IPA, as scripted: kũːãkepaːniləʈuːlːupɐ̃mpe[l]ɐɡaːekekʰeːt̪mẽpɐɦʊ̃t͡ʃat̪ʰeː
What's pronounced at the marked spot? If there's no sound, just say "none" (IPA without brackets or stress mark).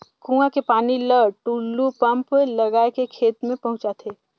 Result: l